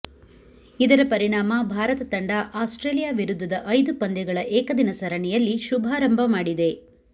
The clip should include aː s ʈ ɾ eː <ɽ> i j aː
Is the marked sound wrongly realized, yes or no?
yes